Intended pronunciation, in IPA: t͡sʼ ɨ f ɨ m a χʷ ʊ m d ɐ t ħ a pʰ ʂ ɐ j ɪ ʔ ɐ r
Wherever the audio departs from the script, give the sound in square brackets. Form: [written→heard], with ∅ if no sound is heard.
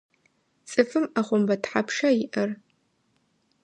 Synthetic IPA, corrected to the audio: t͡sʼ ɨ f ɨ m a χʷ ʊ m [d→b] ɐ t ħ a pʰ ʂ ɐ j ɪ ʔ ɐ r